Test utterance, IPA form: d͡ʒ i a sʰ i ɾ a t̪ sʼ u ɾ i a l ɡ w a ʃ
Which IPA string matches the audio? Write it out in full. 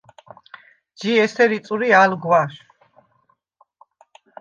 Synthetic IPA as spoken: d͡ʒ i ɛ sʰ ɛ ɾ i t̪ sʼ u ɾ i a l ɡ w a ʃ